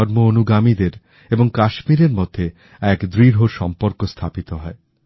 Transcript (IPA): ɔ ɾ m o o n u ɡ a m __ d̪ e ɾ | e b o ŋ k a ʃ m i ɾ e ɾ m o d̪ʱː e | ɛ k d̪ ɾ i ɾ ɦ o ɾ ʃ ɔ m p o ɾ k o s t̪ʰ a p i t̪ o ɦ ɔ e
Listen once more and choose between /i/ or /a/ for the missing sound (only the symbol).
i